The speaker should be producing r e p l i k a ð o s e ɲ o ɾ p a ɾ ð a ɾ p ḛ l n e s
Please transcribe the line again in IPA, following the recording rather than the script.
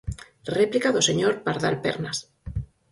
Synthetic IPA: r e p l i k a ð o s e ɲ o ɾ p a ɾ ð a l p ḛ ɾ n a s